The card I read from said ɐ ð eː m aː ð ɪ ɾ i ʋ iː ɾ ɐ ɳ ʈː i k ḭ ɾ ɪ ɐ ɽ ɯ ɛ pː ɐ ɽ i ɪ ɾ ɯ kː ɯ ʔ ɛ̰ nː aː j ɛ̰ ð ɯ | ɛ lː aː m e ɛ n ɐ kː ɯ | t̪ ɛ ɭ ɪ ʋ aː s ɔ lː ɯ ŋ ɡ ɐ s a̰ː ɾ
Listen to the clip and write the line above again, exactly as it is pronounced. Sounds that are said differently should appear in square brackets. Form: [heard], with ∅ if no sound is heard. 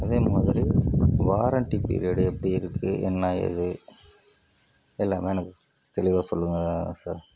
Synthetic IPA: ɐ ð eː m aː ð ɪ ɾ i ʋ [aː] ɾ ɐ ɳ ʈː i [p] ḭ ɾ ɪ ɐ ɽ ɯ ɛ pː ɐ ɽ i ɪ ɾ ɯ kː ɯ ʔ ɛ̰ nː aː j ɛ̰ ð ɯ | ɛ lː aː m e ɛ n ɐ kː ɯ | t̪ ɛ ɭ ɪ ʋ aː s ɔ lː ɯ ŋ ɡ ɐ s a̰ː ɾ